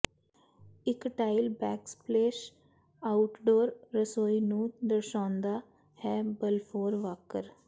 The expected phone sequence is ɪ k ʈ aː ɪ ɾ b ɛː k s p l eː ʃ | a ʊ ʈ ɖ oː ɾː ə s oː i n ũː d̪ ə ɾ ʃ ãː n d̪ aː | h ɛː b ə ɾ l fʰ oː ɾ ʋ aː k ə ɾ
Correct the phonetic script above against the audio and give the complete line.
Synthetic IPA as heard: ɪ k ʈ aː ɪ l b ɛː k s p l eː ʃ | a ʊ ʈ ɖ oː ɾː ə s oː i n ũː d̪ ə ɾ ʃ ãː n d̪ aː | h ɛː b ə l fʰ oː ɾ ʋ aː k ə ɾ